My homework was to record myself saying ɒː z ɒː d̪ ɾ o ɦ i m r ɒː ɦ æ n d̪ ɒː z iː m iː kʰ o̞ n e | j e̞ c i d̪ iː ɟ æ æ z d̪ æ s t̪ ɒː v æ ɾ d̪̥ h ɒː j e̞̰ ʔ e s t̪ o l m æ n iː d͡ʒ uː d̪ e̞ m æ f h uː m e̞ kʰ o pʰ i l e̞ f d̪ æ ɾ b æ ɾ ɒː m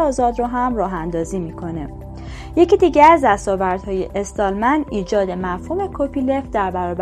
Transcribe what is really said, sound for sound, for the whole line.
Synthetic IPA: ɒː z ɒː d̪ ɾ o ɦ æ m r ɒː ɦ æ n d̪ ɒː z iː m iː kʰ o̞ n e | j e̞ c i d̪ iː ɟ æ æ z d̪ æ s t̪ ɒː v æ ɾ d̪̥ h ɒː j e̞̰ ʔ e s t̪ ɒ l m æ n iː d͡ʒ ɒː d̪ e̞ m æ f h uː m e̞ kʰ o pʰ i l e̞ f d̪ æ ɾ b æ ɾ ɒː b